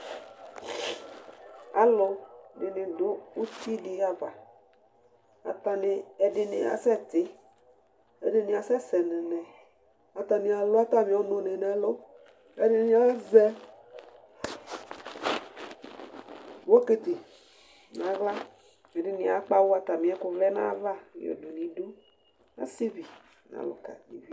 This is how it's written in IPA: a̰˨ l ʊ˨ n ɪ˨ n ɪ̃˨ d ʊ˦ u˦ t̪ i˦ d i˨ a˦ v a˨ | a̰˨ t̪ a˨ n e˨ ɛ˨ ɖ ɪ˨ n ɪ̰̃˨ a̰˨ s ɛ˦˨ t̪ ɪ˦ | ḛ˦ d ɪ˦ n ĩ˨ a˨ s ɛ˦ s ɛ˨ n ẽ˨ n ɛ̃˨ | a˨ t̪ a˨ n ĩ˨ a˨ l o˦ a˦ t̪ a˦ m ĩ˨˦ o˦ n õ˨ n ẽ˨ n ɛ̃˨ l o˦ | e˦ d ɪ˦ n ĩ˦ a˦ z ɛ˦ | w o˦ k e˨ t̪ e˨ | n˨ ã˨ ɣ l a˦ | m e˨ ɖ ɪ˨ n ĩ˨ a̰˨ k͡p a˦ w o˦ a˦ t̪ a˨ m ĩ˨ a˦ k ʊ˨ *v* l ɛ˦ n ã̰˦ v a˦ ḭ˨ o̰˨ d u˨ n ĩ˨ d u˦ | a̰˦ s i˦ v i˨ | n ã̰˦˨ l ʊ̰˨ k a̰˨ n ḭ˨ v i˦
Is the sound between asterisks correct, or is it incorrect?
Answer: correct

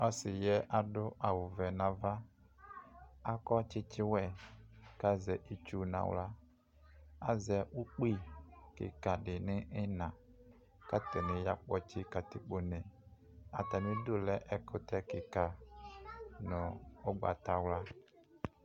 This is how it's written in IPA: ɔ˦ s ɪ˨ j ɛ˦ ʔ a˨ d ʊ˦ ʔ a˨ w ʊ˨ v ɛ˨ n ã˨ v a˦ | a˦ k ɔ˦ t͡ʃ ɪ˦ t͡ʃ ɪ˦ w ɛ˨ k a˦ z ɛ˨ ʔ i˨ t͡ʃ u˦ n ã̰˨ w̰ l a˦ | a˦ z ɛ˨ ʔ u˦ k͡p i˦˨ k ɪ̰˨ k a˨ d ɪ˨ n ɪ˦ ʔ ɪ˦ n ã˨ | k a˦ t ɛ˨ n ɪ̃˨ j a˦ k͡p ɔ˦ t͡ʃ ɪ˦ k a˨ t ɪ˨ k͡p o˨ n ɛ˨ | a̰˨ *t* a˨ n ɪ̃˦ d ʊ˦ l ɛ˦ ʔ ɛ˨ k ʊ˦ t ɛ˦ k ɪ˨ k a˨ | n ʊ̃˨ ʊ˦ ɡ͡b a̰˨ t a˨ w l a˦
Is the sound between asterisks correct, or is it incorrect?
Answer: correct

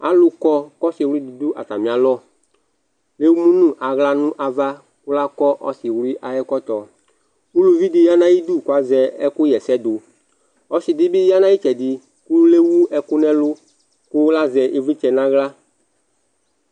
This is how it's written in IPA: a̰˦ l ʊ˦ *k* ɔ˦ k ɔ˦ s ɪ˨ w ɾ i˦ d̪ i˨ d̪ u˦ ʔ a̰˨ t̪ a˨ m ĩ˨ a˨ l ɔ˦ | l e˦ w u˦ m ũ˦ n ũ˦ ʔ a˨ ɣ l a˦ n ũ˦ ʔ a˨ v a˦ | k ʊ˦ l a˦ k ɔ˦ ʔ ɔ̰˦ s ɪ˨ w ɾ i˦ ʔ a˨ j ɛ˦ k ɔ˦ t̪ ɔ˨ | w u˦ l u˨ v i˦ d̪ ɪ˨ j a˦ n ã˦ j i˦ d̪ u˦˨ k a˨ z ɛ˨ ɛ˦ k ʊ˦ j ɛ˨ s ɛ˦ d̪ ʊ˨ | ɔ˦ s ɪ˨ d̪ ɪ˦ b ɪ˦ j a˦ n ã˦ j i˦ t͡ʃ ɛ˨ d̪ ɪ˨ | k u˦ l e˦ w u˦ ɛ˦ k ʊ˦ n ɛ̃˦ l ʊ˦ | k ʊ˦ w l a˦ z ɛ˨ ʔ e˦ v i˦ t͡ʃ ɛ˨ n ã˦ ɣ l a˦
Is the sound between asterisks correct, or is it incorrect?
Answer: correct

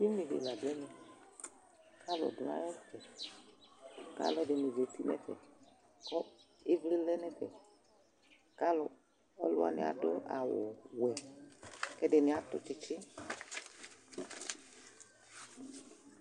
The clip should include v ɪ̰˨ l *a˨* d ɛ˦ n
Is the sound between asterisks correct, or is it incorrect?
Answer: correct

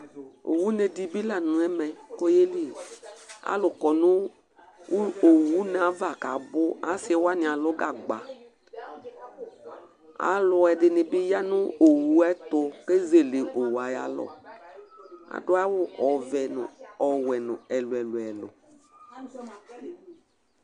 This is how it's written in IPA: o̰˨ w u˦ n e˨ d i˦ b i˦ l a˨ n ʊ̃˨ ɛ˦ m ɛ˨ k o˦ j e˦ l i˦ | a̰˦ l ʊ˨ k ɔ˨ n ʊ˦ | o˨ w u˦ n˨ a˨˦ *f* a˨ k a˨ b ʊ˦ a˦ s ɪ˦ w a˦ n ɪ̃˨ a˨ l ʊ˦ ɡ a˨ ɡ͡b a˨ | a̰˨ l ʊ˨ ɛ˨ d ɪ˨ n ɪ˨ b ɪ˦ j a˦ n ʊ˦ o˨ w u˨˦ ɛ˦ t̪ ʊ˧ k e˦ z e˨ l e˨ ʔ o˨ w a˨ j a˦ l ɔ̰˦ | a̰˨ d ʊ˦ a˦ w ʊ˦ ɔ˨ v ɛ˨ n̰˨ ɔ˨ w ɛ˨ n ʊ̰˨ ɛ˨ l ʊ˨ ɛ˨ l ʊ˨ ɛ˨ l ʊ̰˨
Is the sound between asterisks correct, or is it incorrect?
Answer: incorrect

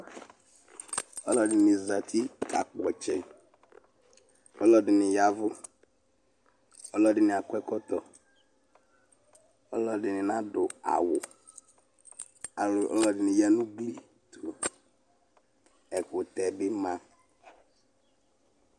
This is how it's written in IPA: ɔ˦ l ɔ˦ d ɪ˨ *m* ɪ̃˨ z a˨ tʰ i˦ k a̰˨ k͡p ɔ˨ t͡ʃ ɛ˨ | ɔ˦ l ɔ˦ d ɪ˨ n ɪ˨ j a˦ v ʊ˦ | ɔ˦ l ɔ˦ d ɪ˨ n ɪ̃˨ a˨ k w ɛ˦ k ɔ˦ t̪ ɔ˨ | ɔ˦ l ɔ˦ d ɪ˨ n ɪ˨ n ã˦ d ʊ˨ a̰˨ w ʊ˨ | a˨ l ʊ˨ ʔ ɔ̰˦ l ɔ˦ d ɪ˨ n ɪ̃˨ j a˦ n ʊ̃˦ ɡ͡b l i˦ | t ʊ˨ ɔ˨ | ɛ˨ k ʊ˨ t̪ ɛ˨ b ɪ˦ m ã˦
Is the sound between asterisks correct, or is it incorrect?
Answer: incorrect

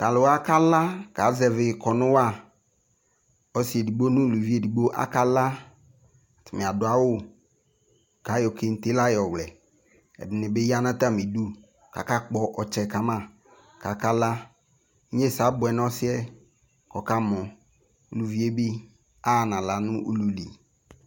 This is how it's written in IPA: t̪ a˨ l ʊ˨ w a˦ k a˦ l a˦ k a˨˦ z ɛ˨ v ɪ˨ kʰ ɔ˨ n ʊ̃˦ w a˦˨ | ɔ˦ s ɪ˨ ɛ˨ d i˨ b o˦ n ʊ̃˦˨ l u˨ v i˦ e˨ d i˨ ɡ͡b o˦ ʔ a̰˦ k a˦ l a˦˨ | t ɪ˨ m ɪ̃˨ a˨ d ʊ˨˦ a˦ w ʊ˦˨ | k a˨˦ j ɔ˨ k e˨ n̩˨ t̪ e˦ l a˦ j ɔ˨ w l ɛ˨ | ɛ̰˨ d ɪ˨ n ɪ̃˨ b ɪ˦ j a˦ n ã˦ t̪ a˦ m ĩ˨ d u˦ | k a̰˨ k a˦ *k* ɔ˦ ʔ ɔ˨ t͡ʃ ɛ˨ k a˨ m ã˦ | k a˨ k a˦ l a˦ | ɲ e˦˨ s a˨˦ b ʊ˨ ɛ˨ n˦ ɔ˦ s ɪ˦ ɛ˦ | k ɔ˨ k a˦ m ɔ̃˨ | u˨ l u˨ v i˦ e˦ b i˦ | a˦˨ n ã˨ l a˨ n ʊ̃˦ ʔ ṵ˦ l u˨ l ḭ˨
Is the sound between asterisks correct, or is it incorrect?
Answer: incorrect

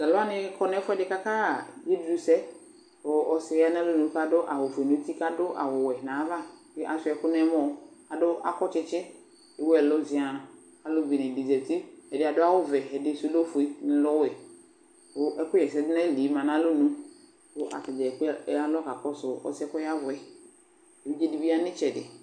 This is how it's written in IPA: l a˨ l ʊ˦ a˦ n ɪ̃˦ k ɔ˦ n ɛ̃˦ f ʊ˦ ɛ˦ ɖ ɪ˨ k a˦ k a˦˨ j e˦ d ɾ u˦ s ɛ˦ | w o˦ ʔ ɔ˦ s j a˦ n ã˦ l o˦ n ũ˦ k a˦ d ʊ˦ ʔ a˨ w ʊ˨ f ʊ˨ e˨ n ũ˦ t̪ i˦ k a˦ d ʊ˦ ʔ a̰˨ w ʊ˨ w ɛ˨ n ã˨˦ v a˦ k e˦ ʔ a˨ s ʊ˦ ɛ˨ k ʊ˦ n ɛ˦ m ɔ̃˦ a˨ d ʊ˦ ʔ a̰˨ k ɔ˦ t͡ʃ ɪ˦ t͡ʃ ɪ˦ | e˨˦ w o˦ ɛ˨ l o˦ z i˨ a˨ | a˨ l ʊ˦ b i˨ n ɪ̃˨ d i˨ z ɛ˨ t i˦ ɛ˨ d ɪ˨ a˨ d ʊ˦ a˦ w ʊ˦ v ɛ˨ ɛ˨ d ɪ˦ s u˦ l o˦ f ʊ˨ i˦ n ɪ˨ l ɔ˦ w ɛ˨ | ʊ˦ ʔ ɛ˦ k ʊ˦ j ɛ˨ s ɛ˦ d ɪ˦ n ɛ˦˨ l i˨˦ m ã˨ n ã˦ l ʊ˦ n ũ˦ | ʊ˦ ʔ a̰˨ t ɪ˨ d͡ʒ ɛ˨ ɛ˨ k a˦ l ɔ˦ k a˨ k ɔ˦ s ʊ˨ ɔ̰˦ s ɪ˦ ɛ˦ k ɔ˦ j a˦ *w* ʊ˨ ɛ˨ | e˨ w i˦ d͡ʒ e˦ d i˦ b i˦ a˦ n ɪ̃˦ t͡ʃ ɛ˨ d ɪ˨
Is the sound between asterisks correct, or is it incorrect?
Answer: incorrect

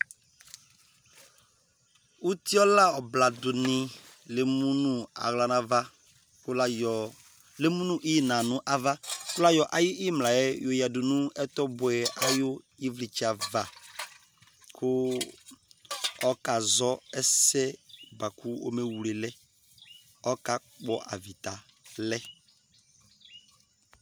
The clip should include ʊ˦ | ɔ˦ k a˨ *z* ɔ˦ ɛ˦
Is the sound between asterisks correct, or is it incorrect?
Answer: correct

